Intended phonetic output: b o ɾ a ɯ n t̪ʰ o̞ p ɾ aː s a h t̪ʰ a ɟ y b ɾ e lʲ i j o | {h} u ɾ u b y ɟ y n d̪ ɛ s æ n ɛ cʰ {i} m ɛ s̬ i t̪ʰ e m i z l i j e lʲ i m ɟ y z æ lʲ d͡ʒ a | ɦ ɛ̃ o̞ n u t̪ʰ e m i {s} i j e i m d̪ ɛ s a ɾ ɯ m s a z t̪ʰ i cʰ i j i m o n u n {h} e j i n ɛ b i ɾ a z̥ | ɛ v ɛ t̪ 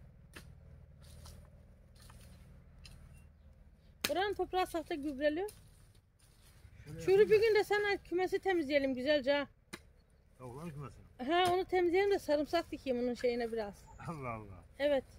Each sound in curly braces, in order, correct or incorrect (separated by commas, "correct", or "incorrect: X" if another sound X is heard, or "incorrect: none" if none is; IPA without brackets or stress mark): incorrect: ʃ, incorrect: y, incorrect: z, incorrect: ʃ